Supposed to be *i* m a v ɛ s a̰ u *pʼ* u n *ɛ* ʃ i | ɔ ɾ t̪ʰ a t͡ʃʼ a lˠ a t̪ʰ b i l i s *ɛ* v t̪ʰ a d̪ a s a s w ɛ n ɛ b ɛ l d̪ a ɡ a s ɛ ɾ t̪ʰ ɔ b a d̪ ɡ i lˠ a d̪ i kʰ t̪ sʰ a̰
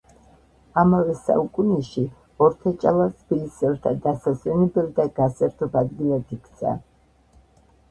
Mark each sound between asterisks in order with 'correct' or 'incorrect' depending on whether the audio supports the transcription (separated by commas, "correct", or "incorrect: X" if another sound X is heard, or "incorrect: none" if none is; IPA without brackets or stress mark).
incorrect: a, incorrect: kʼ, correct, correct